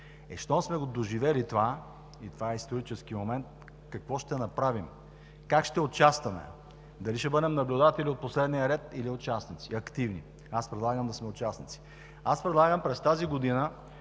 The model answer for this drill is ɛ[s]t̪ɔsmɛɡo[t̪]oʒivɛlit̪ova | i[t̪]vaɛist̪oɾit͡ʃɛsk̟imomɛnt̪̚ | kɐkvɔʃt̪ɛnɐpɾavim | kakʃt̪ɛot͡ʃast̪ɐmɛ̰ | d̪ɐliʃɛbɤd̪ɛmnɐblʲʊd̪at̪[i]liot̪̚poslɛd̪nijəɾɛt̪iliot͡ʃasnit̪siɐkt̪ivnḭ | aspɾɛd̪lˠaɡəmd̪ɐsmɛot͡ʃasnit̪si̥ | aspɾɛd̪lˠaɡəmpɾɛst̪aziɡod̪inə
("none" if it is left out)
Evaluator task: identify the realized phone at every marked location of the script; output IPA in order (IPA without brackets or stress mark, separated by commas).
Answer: ʃ, d̪, t̪, ɛ